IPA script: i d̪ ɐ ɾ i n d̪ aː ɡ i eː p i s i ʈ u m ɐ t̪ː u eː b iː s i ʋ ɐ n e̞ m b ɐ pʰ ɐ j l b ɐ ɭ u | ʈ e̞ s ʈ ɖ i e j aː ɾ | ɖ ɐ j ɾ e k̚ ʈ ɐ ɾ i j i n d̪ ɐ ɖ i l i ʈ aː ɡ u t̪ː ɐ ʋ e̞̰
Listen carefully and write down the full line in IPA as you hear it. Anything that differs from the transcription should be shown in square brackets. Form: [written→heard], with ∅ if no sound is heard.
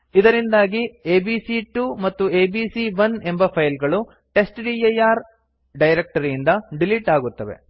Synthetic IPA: i d̪ ɐ ɾ i n d̪ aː ɡ i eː [p→b] i s i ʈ u m ɐ t̪ː u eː b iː s i ʋ ɐ n e̞ m b ɐ pʰ ɐ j l [b→ɡ] ɐ ɭ u | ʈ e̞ s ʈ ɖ i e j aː ɾ | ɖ ɐ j ɾ e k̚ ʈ ɐ ɾ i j i n d̪ ɐ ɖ i l i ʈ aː ɡ u t̪ː ɐ ʋ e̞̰

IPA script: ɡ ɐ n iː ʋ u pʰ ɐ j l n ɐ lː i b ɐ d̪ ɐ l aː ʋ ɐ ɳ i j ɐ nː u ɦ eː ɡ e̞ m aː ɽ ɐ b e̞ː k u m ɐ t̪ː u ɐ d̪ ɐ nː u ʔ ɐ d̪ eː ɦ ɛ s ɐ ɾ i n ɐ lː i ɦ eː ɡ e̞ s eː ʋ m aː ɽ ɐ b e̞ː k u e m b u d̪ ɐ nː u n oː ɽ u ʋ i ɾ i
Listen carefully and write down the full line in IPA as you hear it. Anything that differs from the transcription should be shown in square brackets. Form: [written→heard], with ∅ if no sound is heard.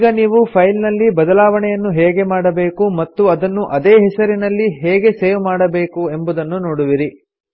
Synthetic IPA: ɡ ɐ n iː ʋ u pʰ ɐ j l n ɐ lː i b ɐ d̪ ɐ l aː ʋ ɐ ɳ [i→ɛ] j ɐ nː u ɦ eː ɡ e̞ m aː ɽ ɐ b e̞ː k u m ɐ t̪ː u ɐ d̪ ɐ nː u ʔ ɐ d̪ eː ɦ ɛ s ɐ ɾ i n ɐ lː i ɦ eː ɡ e̞ s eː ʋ m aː ɽ ɐ b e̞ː k u e m b u d̪ ɐ nː u n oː ɽ u ʋ i ɾ i

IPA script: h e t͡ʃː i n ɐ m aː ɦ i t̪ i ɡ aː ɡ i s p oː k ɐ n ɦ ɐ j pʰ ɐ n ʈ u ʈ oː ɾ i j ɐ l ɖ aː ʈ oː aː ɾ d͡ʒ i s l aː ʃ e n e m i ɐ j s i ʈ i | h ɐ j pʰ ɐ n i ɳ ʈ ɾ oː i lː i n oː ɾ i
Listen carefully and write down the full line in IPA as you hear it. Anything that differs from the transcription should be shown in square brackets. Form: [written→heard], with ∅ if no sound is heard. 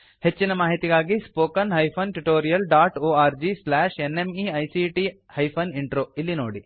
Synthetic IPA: h e t͡ʃː i n ɐ m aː ɦ i t̪ i ɡ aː ɡ i s p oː k ɐ n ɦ ɐ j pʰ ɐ n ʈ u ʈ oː ɾ i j ɐ l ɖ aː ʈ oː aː ɾ d͡ʒ i s l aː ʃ e n e m i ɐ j s i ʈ i | h ɐ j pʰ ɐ n i ɳ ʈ ɾ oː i lː i n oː [ɾ→ɽ] i

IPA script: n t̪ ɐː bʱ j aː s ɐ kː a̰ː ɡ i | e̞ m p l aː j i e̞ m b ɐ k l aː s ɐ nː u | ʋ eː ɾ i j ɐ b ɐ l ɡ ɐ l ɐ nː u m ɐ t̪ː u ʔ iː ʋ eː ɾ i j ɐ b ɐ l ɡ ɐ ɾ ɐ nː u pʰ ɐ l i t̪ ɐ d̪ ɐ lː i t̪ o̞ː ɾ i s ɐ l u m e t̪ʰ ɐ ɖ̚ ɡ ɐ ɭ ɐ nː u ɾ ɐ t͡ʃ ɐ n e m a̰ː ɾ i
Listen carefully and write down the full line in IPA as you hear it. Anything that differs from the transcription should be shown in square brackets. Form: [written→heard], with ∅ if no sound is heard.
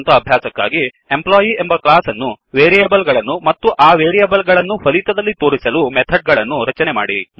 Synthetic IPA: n t̪ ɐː bʱ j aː s ɐ kː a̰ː ɡ i | e̞ m p l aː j i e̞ m b ɐ k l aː s ɐ nː u | ʋ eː ɾ i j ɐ b ɐ l ɡ ɐ [l→ɭ] ɐ nː u m ɐ t̪ː u ʔ [iː→aː] ʋ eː ɾ i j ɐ b ɐ l ɡ ɐ [ɾ→ɭ] ɐ nː u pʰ ɐ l i t̪ ɐ d̪ ɐ lː i t̪ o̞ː ɾ i s ɐ l u m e t̪ʰ ɐ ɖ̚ ɡ ɐ ɭ ɐ nː u ɾ ɐ t͡ʃ ɐ n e m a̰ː [ɾ→ɽ] i

